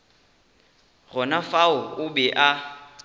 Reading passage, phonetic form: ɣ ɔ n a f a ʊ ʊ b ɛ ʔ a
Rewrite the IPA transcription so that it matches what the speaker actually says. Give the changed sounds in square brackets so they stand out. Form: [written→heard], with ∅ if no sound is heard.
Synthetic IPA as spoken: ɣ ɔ n a f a ʊ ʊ b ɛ ʔ a